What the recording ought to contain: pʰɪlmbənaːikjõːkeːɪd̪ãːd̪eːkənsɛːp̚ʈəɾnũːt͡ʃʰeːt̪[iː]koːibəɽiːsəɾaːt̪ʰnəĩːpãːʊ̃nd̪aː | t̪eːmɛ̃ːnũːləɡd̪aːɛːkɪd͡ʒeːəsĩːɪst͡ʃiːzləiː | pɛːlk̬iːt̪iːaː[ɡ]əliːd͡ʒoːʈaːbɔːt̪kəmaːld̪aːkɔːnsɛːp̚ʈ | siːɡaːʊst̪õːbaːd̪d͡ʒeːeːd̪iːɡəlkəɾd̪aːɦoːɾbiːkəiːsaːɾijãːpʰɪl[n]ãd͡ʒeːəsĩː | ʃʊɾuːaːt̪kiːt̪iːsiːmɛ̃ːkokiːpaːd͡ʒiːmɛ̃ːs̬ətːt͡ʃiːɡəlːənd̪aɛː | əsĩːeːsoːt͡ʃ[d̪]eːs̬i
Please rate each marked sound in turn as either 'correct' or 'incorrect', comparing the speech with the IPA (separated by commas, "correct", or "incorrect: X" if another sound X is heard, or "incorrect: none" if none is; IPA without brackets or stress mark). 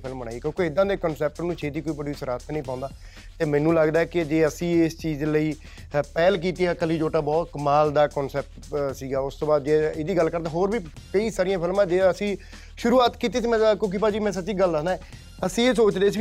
correct, incorrect: k, incorrect: m, correct